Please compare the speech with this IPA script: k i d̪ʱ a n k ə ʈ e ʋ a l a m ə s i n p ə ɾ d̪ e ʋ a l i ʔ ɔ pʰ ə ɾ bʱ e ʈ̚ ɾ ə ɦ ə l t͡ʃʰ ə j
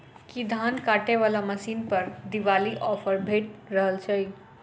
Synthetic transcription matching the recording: k i d̪ʱ a n k a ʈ e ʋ a l a m ə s i n p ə ɾ d̪ i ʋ a l i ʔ ɔ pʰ ə ɾ bʱ e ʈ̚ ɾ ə ɦ ə l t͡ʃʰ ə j